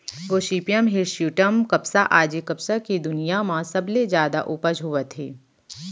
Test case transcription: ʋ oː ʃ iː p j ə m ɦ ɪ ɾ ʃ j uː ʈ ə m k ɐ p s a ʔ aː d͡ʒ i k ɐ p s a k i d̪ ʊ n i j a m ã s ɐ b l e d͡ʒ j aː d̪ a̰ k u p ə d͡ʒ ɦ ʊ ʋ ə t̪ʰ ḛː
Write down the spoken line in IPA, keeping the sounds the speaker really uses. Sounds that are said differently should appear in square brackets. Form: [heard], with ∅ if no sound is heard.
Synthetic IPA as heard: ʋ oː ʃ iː p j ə m ɦ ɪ ɾ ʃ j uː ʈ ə m k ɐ p s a ʔ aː d͡ʒ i k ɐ p s a k i d̪ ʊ n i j a m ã s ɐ b l e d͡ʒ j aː d̪ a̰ [ʔ] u p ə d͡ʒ ɦ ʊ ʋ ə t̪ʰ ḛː